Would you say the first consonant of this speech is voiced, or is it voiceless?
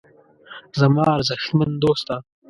voiced